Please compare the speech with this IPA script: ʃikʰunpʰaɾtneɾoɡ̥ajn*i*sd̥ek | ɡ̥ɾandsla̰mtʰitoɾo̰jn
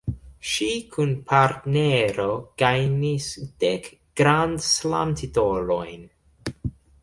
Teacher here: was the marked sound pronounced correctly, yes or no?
yes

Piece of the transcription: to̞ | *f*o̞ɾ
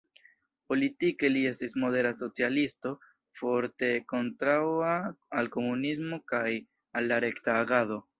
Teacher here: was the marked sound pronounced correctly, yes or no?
yes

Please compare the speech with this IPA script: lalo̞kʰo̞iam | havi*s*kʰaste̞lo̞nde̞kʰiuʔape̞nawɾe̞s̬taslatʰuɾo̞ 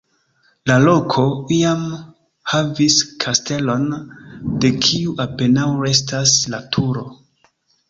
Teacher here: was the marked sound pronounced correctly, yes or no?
yes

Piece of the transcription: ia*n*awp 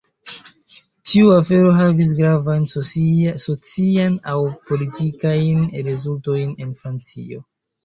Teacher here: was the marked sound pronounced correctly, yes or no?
yes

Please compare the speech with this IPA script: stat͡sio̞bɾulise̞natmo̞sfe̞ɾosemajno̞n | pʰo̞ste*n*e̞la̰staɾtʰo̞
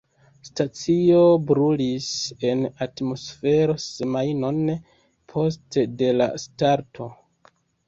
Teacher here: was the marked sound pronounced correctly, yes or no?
no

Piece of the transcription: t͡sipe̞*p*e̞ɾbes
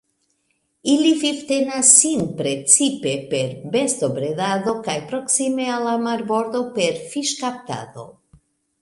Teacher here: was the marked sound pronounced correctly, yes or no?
yes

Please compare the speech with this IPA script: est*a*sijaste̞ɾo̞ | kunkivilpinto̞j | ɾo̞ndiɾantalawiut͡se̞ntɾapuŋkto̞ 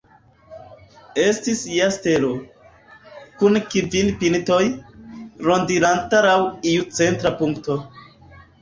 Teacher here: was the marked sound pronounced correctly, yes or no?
no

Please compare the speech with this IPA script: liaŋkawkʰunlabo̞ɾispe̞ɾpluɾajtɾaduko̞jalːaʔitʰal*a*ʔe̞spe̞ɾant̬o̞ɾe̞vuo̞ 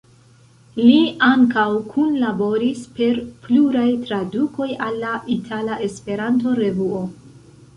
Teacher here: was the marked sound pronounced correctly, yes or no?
yes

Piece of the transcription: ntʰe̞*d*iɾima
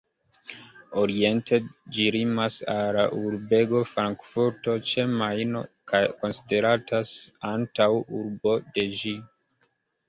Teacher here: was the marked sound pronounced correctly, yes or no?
no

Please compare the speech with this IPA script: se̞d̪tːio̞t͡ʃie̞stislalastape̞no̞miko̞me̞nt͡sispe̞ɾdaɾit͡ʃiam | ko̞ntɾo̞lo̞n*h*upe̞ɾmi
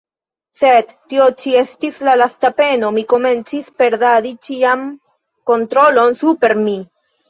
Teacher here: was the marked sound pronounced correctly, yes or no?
no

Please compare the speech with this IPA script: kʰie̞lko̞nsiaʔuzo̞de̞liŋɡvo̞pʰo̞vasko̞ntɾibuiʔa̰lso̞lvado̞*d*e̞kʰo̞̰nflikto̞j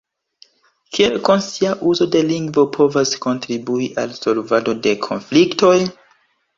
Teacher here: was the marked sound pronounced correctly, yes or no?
yes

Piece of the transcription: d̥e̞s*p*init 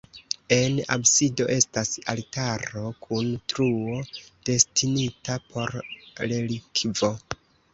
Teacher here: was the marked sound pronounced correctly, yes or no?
no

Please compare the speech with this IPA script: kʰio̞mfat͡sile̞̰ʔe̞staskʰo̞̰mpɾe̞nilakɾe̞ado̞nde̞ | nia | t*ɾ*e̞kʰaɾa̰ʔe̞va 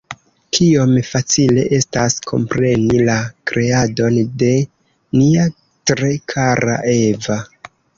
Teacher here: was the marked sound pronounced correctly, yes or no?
yes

